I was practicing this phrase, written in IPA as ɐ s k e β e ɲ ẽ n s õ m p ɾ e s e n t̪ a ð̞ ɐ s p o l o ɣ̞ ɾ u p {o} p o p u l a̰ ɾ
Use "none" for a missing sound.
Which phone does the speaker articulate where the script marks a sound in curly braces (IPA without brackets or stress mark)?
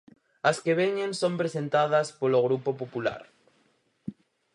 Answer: o